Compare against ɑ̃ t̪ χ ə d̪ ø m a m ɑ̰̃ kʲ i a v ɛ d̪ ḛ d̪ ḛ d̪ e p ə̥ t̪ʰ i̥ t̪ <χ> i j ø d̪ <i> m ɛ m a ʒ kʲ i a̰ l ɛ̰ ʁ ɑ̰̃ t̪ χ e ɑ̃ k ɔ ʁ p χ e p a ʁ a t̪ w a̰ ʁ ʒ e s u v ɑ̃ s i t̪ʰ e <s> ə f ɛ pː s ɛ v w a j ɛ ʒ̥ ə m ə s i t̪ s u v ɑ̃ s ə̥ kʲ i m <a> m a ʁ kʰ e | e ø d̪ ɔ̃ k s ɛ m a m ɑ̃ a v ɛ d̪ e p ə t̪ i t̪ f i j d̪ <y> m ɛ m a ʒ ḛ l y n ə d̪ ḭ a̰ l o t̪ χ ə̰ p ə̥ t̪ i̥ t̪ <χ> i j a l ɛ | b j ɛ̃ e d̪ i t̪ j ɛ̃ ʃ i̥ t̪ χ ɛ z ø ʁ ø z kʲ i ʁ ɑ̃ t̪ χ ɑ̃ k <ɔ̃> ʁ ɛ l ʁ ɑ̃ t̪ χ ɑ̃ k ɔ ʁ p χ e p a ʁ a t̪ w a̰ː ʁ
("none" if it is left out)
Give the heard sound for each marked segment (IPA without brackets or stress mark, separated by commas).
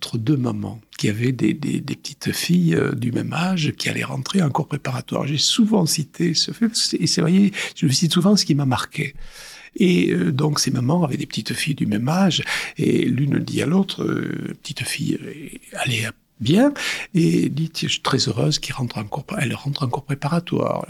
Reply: f, y, s, a, y, f, ɔ